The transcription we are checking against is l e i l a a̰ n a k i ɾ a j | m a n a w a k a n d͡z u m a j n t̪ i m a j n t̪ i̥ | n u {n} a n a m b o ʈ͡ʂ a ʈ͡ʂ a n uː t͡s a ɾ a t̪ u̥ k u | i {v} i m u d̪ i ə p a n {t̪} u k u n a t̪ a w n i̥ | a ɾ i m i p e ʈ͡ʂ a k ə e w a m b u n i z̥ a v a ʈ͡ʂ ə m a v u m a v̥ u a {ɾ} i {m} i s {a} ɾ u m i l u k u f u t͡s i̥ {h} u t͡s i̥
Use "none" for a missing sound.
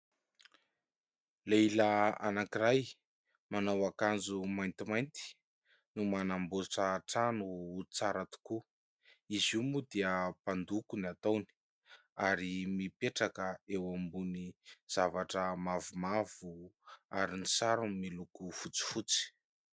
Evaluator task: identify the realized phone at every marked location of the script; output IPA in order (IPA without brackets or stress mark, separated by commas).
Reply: m, z, d̪, ɾ, n, a, f